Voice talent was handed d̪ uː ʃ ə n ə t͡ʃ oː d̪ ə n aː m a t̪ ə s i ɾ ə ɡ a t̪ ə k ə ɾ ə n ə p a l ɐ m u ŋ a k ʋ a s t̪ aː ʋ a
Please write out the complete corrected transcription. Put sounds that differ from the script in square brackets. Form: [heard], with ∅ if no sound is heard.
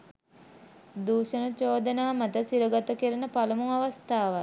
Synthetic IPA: d̪ uː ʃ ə n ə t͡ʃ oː d̪ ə n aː m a t̪ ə s i ɾ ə ɡ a t̪ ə k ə ɾ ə n ə p a l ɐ m u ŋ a [∅] ʋ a s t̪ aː ʋ a

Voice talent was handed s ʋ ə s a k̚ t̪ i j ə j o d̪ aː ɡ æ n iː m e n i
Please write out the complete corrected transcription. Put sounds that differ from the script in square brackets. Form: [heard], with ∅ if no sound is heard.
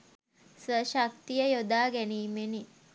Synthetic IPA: s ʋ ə [ʃ] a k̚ t̪ i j ə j o d̪ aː ɡ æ n iː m e n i

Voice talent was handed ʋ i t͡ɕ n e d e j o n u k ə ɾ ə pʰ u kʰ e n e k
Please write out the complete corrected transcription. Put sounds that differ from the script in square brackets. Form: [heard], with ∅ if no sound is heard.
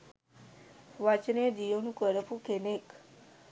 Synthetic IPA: ʋ [a] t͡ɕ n e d [i] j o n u k ə ɾ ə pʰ u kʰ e n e k

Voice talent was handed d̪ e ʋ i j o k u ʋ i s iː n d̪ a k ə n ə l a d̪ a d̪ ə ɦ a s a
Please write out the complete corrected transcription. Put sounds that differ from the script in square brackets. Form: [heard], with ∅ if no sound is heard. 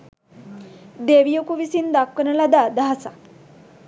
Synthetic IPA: d̪ e ʋ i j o k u ʋ i s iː n d̪ a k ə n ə l a d̪ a d̪ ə ɦ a s a

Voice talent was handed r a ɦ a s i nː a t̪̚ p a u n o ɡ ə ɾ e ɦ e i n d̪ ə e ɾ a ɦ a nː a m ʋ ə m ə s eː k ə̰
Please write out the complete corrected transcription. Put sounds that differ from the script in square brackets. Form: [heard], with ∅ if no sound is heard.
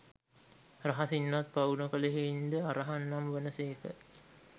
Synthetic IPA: r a ɦ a s i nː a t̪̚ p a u n o [k] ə [l] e ɦ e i n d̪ ə [a] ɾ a ɦ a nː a m ʋ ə [n] ə s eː k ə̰

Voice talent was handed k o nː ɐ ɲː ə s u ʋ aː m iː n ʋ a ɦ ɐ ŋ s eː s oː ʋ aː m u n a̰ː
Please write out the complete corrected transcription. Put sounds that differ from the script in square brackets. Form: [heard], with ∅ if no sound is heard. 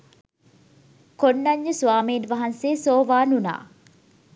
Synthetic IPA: k o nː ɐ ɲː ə s u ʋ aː m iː n ʋ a ɦ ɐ [n] s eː s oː ʋ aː [n] u n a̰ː

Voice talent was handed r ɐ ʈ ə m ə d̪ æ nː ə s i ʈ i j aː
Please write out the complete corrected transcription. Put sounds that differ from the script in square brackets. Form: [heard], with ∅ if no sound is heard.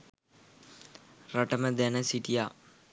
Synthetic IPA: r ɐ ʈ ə m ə d̪ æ [n] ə s i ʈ i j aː

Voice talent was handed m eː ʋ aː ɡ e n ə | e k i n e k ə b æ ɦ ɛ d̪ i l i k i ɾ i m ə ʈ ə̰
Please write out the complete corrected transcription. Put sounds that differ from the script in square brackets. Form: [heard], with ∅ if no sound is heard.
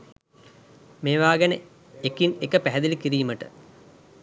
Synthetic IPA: m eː ʋ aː ɡ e n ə | e k i n e k ə [p] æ ɦ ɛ d̪ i l i k i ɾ [iː] m ə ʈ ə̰

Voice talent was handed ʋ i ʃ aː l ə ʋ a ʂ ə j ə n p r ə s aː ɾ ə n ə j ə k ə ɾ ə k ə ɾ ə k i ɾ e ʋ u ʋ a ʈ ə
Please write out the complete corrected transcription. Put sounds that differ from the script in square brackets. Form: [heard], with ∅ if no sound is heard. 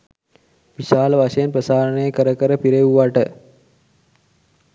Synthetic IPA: ʋ i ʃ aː l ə ʋ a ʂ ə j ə n p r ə s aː ɾ ə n ə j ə k ə ɾ ə k ə ɾ ə [p] i ɾ e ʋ u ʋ a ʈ ə

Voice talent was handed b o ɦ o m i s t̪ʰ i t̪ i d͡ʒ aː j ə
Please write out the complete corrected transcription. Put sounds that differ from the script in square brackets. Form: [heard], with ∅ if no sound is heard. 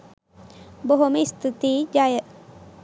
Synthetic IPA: b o ɦ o m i s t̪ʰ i t̪ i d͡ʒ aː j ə

